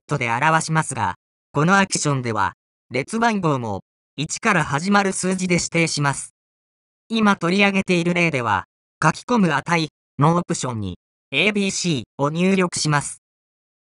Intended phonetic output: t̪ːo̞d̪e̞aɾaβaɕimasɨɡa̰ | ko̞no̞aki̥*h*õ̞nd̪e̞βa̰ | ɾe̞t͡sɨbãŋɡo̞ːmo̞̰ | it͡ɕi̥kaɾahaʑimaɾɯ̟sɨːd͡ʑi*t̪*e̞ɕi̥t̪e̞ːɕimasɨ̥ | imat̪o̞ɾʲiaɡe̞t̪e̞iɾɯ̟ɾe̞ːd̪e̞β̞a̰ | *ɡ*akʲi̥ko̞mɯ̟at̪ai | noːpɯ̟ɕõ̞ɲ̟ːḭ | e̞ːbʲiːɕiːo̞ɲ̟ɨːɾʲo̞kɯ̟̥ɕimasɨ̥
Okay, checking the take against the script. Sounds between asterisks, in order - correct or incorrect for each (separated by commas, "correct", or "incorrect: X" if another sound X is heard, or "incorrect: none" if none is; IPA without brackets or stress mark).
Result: incorrect: ɕ, incorrect: d̪, incorrect: k